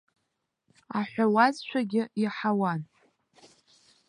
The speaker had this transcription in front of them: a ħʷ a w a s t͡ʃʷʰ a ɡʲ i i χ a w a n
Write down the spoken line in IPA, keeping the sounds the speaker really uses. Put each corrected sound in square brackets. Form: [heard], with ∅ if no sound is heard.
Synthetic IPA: a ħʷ a w a [z] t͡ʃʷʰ a ɡʲ [ɪ] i [ħ] a w a n